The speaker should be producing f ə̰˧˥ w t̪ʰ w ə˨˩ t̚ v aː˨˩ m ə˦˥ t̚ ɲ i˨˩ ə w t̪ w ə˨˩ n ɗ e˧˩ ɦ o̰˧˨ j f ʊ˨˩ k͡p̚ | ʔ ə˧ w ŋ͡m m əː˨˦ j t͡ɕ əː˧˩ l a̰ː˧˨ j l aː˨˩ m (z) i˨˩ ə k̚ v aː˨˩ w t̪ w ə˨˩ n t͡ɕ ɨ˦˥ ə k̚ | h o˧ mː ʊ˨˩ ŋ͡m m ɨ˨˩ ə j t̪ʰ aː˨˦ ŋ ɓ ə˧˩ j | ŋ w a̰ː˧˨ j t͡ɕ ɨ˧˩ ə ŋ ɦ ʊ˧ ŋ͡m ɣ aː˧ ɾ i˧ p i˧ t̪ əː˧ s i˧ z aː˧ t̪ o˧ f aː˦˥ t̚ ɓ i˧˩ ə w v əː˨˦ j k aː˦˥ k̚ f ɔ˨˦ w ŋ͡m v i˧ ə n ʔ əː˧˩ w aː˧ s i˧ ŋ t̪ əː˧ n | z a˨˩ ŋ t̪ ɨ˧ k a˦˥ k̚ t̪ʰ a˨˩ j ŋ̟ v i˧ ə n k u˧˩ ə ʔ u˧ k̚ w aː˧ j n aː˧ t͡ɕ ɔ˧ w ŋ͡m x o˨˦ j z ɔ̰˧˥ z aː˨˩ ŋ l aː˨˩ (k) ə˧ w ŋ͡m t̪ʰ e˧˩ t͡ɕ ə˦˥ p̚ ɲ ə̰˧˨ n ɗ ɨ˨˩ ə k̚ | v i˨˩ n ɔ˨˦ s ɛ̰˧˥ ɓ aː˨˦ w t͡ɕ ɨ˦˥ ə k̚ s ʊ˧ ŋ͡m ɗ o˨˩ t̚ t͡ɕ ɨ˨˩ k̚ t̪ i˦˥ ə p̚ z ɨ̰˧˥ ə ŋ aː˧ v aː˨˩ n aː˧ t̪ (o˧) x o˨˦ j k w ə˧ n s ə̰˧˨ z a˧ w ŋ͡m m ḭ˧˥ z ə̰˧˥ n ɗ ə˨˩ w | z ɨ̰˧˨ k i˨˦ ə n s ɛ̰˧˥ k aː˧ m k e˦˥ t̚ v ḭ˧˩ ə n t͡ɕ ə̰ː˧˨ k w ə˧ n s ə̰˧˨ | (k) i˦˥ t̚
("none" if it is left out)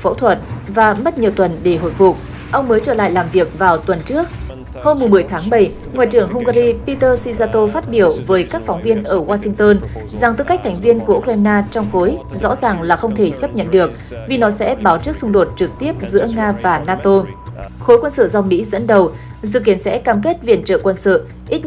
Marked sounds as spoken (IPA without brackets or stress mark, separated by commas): v, x, o˧, ʔ